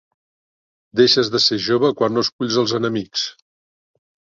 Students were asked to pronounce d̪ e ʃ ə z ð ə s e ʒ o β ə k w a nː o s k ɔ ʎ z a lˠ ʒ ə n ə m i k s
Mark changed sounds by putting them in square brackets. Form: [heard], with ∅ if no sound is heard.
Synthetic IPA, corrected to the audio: d̪ e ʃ ə z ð ə s e ʒ o β ə k w a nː o s k [u] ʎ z [ə] lˠ [z] ə n ə m i k s